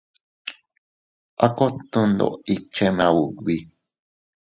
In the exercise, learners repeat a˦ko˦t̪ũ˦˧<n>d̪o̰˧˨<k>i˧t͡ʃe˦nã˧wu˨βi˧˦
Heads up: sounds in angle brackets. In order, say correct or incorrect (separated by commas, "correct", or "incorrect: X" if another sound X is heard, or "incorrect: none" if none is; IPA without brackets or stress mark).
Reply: correct, incorrect: none